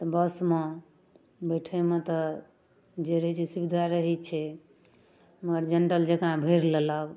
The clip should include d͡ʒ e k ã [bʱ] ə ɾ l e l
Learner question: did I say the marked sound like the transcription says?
yes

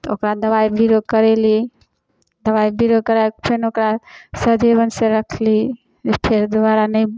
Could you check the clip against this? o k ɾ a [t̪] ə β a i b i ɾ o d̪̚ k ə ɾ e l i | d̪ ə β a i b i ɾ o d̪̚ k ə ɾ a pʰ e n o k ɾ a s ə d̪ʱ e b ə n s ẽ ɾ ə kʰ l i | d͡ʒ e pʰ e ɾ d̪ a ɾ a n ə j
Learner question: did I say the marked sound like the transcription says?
no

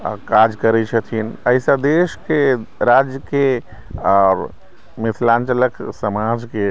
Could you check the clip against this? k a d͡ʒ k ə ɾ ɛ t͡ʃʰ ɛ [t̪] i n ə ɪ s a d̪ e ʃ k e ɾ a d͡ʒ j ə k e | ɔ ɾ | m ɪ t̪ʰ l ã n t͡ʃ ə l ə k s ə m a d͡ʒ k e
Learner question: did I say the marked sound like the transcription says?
no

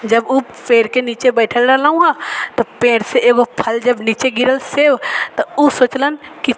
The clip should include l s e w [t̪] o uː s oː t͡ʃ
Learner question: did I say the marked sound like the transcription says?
yes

